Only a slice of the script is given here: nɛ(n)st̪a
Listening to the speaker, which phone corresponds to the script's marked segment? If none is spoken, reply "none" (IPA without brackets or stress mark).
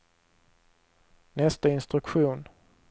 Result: none